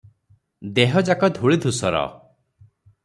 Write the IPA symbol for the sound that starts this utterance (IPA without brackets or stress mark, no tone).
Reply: d̪